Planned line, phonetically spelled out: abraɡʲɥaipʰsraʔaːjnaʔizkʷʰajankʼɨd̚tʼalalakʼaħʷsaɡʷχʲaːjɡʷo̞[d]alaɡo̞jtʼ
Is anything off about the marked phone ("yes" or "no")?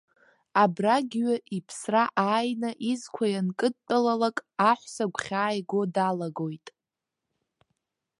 no